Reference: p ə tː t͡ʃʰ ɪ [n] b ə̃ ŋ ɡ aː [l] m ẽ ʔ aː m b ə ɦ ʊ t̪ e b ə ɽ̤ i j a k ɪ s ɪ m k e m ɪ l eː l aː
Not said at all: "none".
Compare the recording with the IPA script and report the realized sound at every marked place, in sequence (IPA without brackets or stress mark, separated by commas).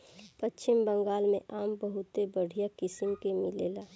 m, l